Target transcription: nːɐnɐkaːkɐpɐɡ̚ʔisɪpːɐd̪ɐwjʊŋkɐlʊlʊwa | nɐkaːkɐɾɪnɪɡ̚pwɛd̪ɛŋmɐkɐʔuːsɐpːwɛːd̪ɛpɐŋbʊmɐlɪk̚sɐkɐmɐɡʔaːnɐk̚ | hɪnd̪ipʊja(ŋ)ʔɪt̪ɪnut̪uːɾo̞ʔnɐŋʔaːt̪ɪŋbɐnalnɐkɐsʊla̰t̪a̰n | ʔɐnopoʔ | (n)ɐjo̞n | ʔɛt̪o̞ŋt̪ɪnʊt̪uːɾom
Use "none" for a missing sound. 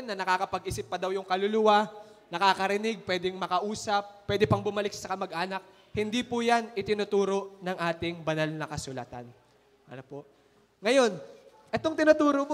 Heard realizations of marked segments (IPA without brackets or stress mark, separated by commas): n, ŋ